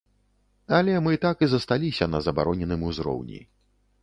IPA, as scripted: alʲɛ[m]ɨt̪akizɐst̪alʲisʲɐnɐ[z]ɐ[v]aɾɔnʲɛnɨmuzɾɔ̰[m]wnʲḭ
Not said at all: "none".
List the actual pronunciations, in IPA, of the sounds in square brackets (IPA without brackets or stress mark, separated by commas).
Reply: m, z, b, none